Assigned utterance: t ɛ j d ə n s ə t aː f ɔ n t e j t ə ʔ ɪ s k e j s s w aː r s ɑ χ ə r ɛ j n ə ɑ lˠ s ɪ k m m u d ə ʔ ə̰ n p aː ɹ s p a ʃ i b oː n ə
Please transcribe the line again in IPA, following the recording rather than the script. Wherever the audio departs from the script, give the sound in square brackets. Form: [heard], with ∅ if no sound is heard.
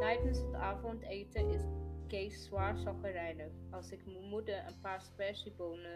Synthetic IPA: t ɛ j d ə n s ə t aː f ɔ n t e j t ə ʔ ɪ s k e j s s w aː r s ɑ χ ə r ɛ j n ə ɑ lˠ s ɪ k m m u d ə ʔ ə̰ n p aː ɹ s p [ɛ] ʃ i b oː n ə